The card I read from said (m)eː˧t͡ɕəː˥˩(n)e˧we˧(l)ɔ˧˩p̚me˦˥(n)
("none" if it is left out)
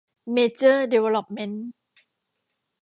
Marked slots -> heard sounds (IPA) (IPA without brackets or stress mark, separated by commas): m, d, l, n